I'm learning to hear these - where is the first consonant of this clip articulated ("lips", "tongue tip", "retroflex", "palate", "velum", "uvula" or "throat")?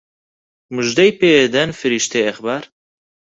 lips